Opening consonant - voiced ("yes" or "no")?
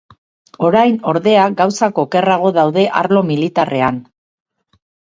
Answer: yes